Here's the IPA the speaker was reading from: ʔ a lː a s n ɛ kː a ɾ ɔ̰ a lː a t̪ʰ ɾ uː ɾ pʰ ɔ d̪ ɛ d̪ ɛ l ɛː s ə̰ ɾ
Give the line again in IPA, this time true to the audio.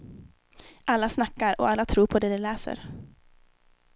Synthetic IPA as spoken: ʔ a lː a s n a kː a ɾ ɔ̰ a lː a t̪ʰ ɾ uː ɾ pʰ ɔ d̪ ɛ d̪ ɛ l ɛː s ə̰ ɾ